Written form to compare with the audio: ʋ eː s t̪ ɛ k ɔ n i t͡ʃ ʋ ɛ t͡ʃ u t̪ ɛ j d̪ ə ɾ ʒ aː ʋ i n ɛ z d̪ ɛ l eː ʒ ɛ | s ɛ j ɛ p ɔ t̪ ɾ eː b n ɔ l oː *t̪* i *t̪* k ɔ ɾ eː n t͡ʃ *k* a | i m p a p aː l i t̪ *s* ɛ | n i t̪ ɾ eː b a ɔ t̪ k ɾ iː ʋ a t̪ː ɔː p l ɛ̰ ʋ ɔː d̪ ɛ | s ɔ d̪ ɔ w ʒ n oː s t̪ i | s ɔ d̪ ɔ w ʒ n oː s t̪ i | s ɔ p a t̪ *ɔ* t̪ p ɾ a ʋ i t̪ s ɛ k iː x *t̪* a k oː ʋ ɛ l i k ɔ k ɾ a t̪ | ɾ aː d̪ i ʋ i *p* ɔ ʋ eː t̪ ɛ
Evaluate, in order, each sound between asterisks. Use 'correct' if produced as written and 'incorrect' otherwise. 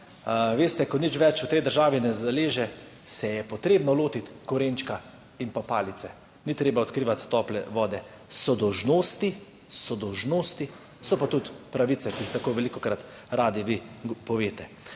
correct, correct, correct, correct, incorrect, correct, correct

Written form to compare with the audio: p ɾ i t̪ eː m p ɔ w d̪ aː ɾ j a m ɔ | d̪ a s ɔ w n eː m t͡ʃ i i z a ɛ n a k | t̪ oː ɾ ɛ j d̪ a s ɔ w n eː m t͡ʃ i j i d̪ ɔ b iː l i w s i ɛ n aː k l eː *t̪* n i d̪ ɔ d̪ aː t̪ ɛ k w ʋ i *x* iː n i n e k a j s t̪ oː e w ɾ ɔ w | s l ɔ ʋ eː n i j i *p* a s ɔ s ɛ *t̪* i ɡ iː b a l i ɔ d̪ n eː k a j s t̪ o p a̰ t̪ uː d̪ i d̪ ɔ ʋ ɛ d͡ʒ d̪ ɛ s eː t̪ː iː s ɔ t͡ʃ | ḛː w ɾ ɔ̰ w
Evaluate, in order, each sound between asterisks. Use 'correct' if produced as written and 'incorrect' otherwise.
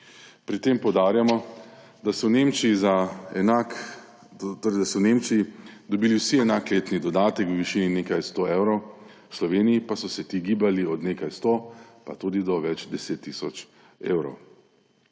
correct, incorrect, correct, correct

